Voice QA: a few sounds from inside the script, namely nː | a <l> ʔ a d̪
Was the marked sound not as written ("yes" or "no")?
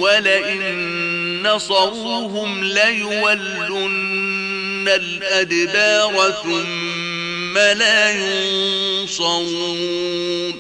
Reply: no